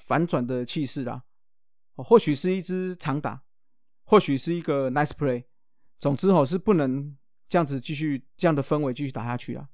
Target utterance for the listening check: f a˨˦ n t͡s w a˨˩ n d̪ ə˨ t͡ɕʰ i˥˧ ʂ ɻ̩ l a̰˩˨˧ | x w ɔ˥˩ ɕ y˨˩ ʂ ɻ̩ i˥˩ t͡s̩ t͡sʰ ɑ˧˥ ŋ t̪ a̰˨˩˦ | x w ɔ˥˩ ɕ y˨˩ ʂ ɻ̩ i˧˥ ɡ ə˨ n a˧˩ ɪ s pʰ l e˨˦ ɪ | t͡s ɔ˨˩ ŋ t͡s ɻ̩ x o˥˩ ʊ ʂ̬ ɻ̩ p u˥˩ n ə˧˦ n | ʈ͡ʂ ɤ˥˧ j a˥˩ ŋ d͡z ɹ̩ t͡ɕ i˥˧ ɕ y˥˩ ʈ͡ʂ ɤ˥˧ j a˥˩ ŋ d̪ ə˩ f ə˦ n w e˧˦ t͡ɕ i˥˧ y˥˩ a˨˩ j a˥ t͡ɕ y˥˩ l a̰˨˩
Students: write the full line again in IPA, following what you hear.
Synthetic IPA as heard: f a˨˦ n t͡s w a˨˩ n d̪ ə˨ t͡ɕʰ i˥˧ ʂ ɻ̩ l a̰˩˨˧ | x w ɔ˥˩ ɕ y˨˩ ʂ ɻ̩ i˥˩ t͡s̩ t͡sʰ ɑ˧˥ ŋ t̪ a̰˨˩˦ | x w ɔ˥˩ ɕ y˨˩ ʂ ɻ̩ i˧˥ ɡ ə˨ n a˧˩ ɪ s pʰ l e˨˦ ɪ | t͡s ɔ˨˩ ŋ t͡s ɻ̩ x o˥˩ ʊ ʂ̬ ɻ̩ p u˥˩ n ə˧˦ ŋ | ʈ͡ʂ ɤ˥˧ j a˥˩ ŋ d͡z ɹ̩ t͡ɕ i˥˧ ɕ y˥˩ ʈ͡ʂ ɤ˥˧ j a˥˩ ŋ d̪ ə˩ f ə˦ n w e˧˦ t͡ɕ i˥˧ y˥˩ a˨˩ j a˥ t͡ɕʰ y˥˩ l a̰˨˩